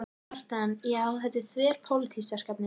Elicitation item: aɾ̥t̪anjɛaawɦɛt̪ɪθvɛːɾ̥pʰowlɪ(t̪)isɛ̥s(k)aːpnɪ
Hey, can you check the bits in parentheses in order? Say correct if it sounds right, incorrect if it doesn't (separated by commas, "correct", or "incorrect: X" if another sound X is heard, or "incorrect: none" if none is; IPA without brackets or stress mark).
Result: incorrect: t̪ʰ, correct